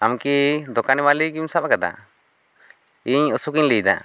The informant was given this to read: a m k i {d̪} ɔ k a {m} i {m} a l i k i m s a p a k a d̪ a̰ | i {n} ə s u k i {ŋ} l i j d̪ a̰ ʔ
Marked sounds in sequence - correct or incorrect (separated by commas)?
correct, incorrect, correct, incorrect, incorrect